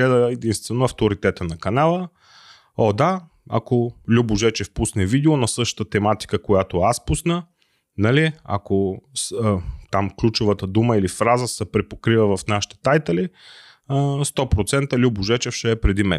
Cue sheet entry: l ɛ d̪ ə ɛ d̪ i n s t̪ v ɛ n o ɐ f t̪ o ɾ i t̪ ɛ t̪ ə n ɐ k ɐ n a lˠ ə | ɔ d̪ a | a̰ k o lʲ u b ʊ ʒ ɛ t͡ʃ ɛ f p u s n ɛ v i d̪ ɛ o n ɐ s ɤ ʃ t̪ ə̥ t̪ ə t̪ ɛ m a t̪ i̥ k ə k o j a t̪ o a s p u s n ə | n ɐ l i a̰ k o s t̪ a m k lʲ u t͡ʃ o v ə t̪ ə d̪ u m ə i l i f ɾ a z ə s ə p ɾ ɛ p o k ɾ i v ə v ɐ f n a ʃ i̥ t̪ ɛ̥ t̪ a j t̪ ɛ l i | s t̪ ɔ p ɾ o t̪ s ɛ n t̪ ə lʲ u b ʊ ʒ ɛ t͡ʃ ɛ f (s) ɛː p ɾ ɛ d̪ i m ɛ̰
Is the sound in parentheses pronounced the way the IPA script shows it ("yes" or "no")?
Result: no